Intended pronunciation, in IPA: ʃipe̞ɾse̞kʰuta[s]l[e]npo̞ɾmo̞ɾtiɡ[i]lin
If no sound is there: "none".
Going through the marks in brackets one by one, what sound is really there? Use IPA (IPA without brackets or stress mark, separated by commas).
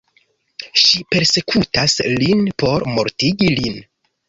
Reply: s, i, i